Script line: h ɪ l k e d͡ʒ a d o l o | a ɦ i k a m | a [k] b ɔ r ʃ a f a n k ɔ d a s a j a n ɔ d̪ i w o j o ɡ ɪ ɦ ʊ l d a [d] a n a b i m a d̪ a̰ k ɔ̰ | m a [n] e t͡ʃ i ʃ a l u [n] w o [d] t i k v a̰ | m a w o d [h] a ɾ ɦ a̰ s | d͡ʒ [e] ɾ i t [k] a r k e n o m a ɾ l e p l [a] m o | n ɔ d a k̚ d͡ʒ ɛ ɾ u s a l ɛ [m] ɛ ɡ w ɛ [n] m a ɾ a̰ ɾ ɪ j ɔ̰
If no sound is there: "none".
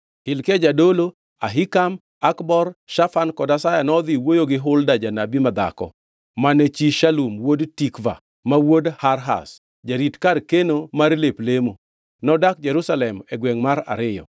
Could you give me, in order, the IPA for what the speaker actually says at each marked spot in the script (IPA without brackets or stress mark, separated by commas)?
k, d͡ʒ, n, m, d, h, a, k, e, m, ŋ